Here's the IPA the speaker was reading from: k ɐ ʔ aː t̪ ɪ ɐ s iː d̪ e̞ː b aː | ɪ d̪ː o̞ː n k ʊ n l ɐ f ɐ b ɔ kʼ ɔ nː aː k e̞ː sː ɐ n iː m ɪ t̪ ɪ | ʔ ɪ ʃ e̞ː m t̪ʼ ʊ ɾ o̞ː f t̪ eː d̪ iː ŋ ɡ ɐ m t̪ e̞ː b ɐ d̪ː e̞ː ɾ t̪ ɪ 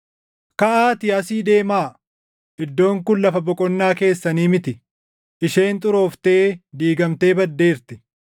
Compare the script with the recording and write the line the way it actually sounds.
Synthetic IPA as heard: k ɐ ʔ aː t̪ ɪ ɐ s iː d̪ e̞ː m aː | ɪ d̪ː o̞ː ŋ k ʊ n l ɐ f ɐ b ɔ kʼ ɔ nː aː k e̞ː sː ɐ n iː m ɪ t̪ ɪ | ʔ ɪ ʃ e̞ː n t̪ʼ ʊ ɾ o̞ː f t̪ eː d̪ iː ɡ ɐ m t̪ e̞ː b ɐ d̪ː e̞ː ɾ t̪ ɪ